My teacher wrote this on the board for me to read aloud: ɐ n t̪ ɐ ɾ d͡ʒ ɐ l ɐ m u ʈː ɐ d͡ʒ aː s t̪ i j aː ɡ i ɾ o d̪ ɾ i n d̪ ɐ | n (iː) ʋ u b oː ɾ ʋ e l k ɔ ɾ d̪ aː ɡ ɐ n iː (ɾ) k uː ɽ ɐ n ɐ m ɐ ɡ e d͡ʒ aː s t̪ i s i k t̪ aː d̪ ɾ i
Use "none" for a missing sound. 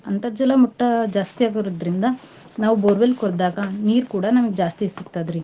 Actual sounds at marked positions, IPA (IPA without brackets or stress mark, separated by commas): aː, ɾ